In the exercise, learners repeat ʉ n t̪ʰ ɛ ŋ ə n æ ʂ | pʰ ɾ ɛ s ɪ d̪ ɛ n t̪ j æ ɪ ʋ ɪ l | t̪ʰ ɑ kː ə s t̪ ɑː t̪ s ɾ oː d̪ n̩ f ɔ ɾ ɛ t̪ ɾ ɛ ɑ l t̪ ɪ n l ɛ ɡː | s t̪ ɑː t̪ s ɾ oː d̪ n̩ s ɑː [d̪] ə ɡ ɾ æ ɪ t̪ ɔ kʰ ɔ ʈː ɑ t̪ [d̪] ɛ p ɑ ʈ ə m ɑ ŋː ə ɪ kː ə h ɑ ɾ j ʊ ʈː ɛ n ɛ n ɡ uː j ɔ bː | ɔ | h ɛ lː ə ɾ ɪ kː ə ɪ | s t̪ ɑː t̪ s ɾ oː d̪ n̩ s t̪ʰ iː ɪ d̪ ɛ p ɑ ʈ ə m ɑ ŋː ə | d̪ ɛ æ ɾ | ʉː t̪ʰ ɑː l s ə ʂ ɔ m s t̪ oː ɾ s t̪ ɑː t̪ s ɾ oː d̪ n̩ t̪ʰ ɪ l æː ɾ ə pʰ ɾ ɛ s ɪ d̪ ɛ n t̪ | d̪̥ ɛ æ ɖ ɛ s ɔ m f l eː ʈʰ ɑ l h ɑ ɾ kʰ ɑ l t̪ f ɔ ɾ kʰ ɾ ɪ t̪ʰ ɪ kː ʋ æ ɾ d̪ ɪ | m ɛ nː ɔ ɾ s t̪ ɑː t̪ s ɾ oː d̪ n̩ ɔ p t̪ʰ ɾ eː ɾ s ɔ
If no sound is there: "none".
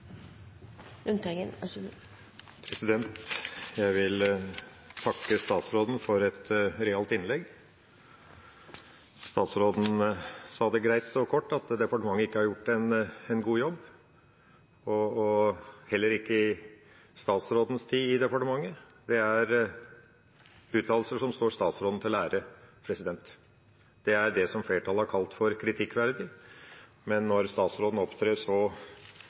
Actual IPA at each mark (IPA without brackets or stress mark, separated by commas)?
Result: d̪, d̪